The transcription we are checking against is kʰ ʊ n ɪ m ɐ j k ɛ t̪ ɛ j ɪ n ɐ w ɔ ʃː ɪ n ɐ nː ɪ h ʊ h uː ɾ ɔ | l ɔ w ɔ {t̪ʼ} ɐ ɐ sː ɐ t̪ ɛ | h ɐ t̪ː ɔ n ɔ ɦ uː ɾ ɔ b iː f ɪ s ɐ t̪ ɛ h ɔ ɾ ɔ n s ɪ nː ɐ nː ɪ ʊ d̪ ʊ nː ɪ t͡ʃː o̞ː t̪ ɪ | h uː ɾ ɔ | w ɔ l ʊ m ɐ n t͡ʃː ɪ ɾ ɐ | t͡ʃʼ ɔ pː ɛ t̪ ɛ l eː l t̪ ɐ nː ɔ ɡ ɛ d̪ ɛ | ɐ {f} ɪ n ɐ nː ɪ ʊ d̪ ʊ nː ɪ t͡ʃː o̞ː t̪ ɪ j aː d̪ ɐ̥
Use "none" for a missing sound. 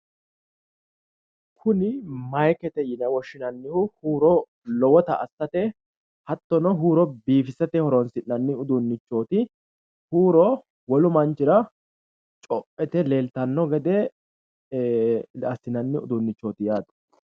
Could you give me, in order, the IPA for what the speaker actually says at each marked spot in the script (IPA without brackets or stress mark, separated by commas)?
t̪, s